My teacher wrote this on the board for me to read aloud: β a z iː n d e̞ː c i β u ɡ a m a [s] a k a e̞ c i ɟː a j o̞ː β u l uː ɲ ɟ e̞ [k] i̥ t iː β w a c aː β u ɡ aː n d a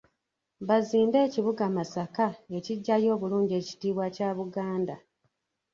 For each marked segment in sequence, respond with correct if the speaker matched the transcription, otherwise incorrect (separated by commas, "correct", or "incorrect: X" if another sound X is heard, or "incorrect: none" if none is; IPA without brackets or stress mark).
correct, incorrect: c